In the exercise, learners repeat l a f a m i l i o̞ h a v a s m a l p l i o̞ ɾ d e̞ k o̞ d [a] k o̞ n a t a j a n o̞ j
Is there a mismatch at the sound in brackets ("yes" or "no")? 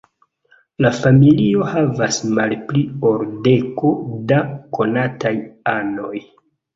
no